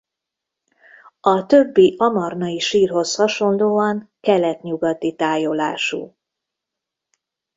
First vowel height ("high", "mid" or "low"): low